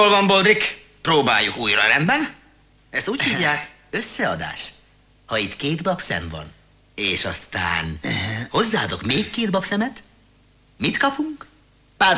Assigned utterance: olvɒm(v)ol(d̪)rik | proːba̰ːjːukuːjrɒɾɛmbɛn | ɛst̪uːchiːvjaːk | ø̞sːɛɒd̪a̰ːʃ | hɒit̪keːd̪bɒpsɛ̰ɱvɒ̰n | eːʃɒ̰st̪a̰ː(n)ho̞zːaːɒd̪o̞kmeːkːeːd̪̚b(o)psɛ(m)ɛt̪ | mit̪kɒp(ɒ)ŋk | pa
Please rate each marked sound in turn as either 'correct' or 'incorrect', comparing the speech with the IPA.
incorrect: b, correct, correct, incorrect: ɒ, correct, incorrect: u

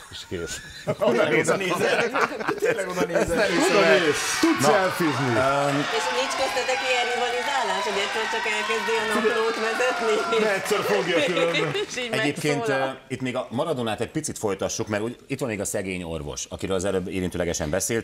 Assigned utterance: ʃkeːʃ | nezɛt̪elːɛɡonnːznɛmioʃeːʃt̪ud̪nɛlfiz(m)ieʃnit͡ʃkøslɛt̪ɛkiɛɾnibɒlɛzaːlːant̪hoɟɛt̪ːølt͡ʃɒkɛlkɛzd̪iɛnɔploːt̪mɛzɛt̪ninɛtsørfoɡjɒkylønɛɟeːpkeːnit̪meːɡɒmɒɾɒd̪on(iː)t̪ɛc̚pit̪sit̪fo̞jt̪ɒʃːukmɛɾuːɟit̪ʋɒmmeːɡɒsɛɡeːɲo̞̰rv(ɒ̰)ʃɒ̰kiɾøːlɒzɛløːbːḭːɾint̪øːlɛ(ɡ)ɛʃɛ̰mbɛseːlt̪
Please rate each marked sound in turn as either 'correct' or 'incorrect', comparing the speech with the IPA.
incorrect: n, incorrect: aː, incorrect: o̰, correct

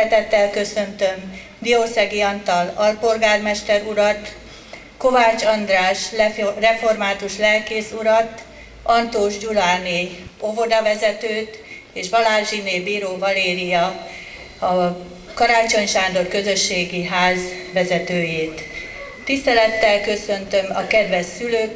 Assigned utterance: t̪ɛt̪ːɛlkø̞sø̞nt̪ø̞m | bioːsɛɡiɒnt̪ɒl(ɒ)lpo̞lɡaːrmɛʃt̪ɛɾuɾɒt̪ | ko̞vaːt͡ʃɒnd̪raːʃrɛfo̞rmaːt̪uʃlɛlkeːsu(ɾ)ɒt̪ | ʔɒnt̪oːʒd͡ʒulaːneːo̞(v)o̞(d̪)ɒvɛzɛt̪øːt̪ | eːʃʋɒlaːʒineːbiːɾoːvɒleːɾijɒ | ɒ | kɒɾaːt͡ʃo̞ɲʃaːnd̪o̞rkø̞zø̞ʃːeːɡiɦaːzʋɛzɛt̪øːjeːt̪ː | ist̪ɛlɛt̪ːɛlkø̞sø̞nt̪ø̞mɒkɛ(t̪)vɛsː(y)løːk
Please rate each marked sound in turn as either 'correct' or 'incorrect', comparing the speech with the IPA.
correct, correct, correct, correct, incorrect: d̪, correct

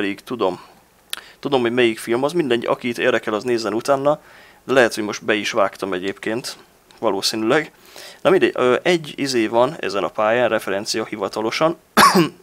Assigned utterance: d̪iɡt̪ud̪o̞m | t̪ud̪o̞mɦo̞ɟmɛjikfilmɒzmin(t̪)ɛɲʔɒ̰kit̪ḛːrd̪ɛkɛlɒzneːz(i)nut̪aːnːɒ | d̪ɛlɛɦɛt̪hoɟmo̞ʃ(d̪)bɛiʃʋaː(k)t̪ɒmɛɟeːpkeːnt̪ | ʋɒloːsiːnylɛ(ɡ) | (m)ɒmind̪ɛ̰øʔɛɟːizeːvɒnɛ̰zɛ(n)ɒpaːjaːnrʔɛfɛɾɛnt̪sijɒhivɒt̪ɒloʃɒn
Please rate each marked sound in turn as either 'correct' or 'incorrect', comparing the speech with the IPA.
incorrect: d̪, incorrect: ɛ, incorrect: t̪, correct, correct, incorrect: n, correct

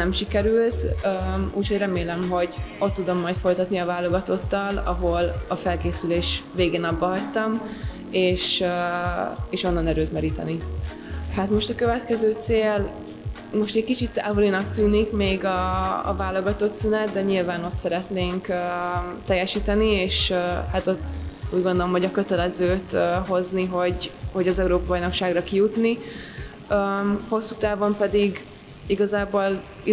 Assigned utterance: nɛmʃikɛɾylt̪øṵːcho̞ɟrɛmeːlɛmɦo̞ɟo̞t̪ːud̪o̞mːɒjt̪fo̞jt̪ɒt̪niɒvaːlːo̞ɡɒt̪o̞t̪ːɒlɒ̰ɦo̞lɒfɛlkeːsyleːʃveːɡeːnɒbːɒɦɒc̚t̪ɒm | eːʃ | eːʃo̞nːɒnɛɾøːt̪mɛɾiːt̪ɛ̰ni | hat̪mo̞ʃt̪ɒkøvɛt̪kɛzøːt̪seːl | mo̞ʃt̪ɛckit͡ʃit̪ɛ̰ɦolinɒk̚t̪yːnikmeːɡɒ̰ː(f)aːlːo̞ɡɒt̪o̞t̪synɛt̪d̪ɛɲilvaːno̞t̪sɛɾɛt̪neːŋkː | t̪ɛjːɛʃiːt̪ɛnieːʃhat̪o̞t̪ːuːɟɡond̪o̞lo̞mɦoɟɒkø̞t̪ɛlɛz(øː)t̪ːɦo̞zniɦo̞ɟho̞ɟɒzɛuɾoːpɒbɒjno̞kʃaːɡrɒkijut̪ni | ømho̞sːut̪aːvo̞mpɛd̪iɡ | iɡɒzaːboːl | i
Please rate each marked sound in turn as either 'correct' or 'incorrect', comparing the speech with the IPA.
incorrect: v, correct

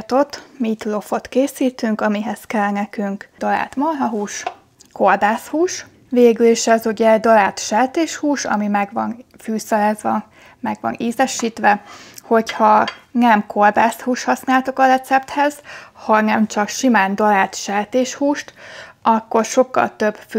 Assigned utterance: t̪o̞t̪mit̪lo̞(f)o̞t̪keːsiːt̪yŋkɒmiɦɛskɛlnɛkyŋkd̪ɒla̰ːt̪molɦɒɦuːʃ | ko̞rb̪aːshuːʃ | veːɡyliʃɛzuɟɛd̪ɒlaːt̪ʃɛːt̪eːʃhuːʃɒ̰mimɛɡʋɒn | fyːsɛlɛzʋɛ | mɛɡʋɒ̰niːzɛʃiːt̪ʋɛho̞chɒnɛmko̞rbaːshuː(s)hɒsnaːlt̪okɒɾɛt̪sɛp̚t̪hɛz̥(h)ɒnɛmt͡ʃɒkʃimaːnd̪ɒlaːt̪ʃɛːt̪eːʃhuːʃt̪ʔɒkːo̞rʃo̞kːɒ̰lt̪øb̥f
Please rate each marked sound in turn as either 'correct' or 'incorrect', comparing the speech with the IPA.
correct, incorrect: ʃ, correct

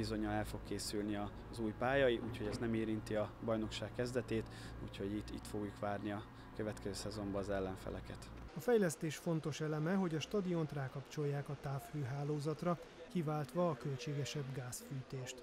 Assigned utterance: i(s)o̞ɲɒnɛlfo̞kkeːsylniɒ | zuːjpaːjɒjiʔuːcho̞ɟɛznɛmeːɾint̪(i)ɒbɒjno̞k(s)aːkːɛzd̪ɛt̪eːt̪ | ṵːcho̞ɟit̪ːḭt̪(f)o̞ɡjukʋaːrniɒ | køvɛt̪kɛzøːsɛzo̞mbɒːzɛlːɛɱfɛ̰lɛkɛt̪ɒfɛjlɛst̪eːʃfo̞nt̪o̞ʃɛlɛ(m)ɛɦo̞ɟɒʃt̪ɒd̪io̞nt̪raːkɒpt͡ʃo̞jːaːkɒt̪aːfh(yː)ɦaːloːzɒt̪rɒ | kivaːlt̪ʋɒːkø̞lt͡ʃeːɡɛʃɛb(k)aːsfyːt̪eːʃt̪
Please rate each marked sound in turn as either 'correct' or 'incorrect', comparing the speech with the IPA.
incorrect: z, correct, incorrect: ʃ, correct, correct, incorrect: øː, incorrect: ɡ

